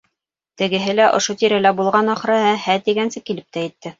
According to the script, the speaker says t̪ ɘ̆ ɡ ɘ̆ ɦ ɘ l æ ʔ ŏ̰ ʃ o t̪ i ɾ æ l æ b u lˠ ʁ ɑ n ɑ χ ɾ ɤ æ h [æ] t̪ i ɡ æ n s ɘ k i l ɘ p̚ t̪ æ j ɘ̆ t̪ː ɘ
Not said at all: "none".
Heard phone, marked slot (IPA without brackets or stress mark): æ